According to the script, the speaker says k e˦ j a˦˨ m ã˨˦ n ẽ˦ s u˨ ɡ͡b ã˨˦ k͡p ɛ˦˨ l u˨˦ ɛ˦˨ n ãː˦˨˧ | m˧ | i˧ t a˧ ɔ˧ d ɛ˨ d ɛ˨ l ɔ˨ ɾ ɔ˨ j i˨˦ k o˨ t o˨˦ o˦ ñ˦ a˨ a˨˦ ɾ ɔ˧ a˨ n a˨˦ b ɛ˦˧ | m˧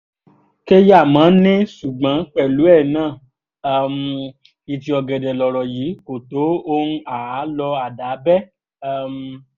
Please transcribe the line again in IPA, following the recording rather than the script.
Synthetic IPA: k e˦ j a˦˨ m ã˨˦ n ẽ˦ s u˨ ɡ͡b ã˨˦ k͡p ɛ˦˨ l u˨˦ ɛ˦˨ n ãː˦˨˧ | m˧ | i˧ t i˧ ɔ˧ ɡ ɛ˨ d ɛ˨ l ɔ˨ ɾ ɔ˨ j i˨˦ k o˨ t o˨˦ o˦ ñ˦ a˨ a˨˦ l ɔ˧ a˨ d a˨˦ b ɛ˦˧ | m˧